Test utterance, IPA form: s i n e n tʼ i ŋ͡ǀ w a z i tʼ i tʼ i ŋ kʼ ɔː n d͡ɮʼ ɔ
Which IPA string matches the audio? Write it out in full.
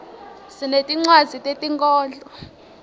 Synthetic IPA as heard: s i n e tʼ i ŋ͡ǀ w a z i tʼ e tʼ i ŋ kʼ ɔː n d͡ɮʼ ɔ

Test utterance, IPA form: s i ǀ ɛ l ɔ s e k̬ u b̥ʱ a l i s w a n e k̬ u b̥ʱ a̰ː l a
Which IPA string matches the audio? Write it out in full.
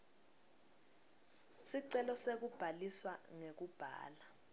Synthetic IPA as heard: s i ǀ ɛ l ɔ s e k̬ u b̥ʱ a l i s w a ŋ e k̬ u b̥ʱ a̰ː l a

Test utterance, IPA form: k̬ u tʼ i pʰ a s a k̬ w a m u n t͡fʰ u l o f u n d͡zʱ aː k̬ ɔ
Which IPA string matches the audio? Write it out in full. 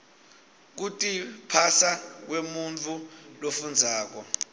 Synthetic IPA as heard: k̬ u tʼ i pʰ a s a k̬ w e m u n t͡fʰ u l o f u n d͡zʱ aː k̬ ɔ

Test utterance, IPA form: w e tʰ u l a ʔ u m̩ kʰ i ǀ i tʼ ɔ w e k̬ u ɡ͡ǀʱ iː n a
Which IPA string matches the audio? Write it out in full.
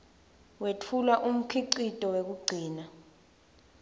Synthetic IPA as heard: w e tʰ u l a ʔ u m̩ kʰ i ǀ i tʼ ɔ w e k̬ u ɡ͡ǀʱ iː n a

